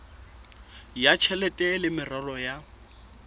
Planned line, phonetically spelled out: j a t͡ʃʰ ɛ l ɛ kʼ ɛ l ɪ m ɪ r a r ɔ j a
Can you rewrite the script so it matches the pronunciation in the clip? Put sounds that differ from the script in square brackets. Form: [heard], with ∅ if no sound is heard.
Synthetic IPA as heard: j a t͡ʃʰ ɛ l ɛ [tʼ] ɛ l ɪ m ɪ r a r ɔ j a